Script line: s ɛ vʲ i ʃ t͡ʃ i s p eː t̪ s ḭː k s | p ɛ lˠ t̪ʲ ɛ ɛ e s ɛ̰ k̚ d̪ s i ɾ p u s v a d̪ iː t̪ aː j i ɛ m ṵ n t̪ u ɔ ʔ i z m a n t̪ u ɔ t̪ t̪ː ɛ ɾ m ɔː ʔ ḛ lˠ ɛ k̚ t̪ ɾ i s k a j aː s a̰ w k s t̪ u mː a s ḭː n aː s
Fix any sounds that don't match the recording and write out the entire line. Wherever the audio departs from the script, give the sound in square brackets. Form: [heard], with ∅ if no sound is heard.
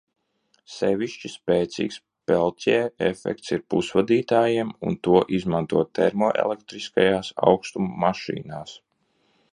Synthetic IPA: s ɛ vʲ i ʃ t͡ʃ i s p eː t̪ s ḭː k s | p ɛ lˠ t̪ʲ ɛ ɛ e [f] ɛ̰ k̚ [t̪] s i ɾ p u s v a d̪ iː t̪ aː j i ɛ m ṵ n t̪ u ɔ ʔ i z m a n t̪ u ɔ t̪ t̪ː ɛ ɾ m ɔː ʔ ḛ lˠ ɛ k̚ t̪ ɾ i s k a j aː s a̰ w k s t̪ u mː a [ʃ] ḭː n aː s